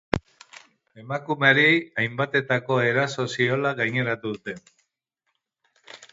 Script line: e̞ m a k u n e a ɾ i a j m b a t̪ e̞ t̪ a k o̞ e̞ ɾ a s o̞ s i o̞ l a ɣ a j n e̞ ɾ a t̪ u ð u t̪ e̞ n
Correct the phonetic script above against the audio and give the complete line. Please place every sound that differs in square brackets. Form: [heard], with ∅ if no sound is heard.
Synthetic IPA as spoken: e̞ m a k u [m] e a ɾ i a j m b a t̪ e̞ t̪ a k o̞ e̞ ɾ a s o̞ s i o̞ l a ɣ a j [ɲ] e̞ ɾ a t̪ u ð u t̪ e̞ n

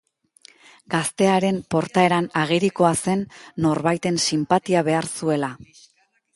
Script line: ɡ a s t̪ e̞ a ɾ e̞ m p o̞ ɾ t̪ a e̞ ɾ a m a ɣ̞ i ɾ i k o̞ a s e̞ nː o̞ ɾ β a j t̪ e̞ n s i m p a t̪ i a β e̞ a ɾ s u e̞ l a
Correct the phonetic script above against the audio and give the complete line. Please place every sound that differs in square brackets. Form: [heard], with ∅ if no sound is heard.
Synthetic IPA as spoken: ɡ a s t̪ e̞ a ɾ e̞ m p o̞ ɾ t̪ a e̞ ɾ a [n] a ɣ̞ i ɾ i k o̞ a s e̞ nː o̞ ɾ β a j t̪ e̞ n s i m p a t̪ i a β e̞ a ɾ s u e̞ l a

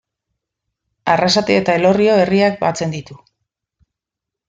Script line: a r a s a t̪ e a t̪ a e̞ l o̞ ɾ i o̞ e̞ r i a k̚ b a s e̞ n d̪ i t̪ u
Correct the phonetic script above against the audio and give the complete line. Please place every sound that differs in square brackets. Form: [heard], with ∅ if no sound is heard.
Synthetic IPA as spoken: a r a s a t̪ e [e] t̪ a e̞ l o̞ [r] i o̞ e̞ r i a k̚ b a [t͡s] e̞ n d̪ i t̪ u

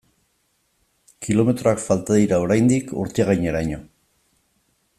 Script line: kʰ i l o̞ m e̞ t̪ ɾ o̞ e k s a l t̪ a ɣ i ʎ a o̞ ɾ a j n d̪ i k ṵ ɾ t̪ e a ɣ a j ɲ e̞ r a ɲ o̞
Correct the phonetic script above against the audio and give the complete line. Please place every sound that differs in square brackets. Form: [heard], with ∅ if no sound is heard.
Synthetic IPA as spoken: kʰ i l o̞ m e̞ t̪ ɾ o̞ [a] k [f] a l t̪ a [ð] i [ɾ] a o̞ ɾ a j n d̪ i k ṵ ɾ t̪ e a ɣ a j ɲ e̞ [ɾ] a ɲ o̞

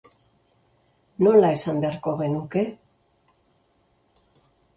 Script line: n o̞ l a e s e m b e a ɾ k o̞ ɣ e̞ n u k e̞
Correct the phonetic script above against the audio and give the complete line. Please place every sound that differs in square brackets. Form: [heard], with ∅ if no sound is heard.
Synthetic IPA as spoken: n o̞ l a e s [a] m b e a ɾ k o̞ ɣ e̞ n u k e̞

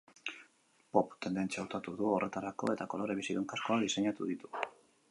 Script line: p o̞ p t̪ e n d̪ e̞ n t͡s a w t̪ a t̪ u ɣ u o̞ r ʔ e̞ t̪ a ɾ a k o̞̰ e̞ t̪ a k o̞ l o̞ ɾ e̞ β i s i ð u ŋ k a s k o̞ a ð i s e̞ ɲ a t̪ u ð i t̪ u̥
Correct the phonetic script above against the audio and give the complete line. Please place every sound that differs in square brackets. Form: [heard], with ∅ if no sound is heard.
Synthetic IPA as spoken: p o̞ p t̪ e n d̪ e̞ n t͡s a w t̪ a t̪ u [ð] u o̞ r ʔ e̞ t̪ a ɾ a k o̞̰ e̞ t̪ a k o̞ l o̞ ɾ e̞ β i s i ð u ŋ k a s k o̞ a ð i s e̞ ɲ a t̪ u ð i t̪ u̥

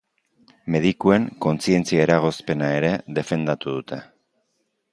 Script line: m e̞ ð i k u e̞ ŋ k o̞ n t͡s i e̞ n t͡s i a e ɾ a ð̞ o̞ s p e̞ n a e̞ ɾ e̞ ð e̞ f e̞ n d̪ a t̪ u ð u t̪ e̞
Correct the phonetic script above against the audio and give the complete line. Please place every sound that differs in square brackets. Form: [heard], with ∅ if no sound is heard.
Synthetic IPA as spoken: m e̞ ð i k u e̞ ŋ k o̞ n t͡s i e̞ n t͡s i a e ɾ a [ɣ̞] o̞ s p e̞ n a e̞ ɾ e̞ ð e̞ f e̞ n d̪ a t̪ u ð u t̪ e̞

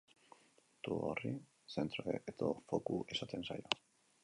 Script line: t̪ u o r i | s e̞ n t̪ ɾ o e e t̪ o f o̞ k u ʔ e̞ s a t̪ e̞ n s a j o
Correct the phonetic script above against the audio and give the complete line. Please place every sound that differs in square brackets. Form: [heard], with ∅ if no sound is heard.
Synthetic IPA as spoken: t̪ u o r i | s e̞ n t̪ ɾ o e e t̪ o f o̞ k u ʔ e̞ s a t̪ e̞ n s a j o

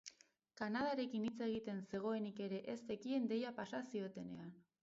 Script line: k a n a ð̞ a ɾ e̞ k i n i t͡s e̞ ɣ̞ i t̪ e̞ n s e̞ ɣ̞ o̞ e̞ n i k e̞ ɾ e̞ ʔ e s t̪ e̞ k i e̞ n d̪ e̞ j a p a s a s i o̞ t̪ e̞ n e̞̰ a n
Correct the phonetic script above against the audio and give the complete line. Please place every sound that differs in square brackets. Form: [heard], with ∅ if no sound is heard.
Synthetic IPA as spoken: k a n a ð̞ a ɾ e̞ k i n i t͡s e̞ ɣ̞ i t̪ e̞ n s e̞ ɣ̞ o̞ e̞ n i k e̞ ɾ e̞ ʔ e s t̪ e̞ k i e̞ n d̪ e̞ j a p a s a s i o̞ t̪ e̞ n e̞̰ a n

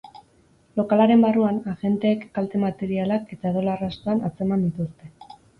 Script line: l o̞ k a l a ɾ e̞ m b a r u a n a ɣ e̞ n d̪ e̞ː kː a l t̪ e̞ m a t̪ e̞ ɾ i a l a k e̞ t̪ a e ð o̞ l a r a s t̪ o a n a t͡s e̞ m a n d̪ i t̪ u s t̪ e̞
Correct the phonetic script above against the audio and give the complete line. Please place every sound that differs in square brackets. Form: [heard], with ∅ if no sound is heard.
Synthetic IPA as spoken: l o̞ k a l a ɾ e̞ m b a r u a n a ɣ e̞ n [t̪] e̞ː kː a l t̪ e̞ m a t̪ e̞ ɾ i a l a k e̞ t̪ a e ð o̞ l a r a s t̪ o a n a t͡s e̞ m a n d̪ i t̪ u s t̪ e̞

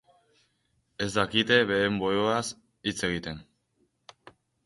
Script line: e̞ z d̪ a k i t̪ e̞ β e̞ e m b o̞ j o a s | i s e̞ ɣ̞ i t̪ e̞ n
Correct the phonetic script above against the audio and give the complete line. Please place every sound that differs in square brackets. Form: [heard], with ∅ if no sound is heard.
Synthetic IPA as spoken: e̞ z d̪ a k i t̪ e̞ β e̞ e m b o̞ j o a s | i [t͡s] e̞ ɣ̞ i t̪ e̞ n

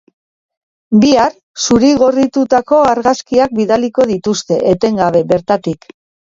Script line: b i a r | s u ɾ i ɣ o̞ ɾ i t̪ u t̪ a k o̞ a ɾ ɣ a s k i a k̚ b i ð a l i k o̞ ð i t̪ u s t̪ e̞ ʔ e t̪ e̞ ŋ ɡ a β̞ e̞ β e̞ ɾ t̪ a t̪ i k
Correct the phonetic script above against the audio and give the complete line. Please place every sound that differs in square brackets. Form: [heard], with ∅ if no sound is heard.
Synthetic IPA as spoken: b i a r | s u ɾ i ɣ o̞ [r] i t̪ u t̪ a k o̞ a ɾ ɣ a s k i a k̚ b i ð a l i k o̞ ð i t̪ u s t̪ e̞ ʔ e t̪ e̞ ŋ ɡ a β̞ e̞ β e̞ ɾ t̪ a t̪ i k

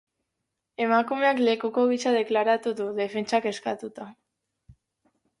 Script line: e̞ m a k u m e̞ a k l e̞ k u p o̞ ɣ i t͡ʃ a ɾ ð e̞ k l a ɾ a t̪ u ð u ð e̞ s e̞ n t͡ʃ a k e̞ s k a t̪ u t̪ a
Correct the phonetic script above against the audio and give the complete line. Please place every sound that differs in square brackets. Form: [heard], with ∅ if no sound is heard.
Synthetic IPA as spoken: e̞ m a k u m e̞ a k l e̞ k u [k] o̞ ɣ i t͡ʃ a [∅] ð e̞ k l a ɾ a t̪ u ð u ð e̞ [f] e̞ n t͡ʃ a k e̞ s k a t̪ u t̪ a

